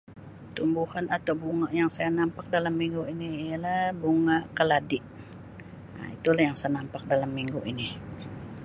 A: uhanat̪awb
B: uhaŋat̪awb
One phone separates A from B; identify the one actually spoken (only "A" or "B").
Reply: A